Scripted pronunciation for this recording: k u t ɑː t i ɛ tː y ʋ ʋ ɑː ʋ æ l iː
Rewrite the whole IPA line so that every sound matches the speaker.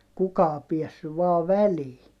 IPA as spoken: k u k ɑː p i ɛ sː y ʋ ʋ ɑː ʋ æ l iː